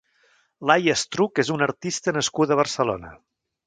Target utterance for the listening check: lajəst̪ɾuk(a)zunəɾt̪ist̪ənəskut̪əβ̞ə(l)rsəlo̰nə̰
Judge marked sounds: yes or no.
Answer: no, no

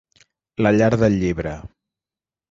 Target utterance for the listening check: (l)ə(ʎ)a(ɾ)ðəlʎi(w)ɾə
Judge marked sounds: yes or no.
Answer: yes, yes, yes, no

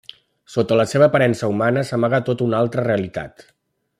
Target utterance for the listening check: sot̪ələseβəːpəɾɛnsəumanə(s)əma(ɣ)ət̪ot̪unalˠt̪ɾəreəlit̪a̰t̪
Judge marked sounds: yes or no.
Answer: yes, yes

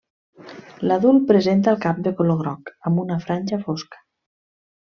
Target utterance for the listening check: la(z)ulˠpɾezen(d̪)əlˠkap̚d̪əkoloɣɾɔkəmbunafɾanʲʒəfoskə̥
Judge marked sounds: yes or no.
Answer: no, no

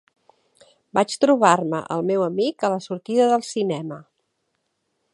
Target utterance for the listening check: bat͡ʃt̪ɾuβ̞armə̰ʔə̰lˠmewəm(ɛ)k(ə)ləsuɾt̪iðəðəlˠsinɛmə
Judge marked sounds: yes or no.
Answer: no, yes

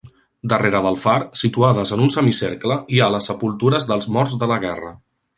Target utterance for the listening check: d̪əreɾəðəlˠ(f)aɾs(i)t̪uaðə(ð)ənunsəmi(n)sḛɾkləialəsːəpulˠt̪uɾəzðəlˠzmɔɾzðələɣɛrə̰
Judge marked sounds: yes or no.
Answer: yes, yes, no, no

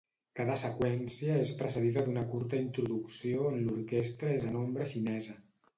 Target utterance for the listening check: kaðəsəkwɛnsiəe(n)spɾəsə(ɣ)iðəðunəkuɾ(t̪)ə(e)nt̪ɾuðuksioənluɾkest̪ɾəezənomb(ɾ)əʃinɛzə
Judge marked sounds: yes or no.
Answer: no, no, yes, no, yes

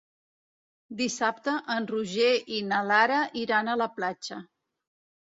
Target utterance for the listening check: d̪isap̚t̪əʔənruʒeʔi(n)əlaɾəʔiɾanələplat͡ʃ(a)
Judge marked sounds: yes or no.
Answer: yes, no

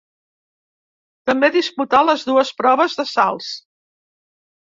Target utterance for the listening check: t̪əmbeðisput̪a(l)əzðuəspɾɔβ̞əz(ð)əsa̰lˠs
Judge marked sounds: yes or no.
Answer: yes, yes

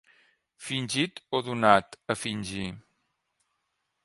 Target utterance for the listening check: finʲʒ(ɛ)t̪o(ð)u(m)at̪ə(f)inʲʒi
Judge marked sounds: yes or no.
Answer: no, yes, no, yes

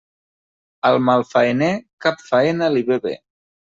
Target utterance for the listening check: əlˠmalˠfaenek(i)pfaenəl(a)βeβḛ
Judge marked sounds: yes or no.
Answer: no, no

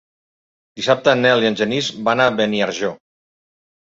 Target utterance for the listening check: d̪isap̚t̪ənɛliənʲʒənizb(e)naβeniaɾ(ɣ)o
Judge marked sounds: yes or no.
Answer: no, no

